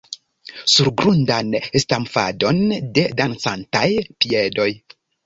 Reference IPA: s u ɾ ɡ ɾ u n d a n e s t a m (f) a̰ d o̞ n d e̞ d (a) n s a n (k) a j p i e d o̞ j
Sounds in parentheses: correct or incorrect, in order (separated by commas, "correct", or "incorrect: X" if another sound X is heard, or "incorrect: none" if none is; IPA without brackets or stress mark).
correct, correct, incorrect: t